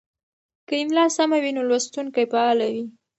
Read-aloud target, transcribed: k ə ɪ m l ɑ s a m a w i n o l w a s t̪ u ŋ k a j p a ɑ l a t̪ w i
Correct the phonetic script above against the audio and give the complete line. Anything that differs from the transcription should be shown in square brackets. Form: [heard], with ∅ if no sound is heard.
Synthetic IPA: k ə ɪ m l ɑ s a m a w i n o l w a s t̪ u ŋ k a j p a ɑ l a [∅] w i